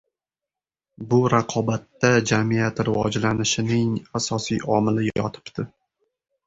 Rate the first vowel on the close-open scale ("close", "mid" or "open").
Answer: close